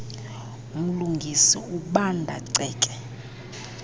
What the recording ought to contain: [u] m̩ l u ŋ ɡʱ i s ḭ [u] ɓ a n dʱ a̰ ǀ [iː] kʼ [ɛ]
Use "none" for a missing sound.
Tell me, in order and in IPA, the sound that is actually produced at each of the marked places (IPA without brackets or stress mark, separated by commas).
u, u, ɛː, ɛ